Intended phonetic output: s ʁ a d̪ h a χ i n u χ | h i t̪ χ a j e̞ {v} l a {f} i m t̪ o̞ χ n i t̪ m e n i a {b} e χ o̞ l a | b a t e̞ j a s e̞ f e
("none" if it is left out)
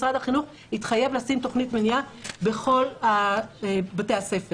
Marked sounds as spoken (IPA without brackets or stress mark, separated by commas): v, s, b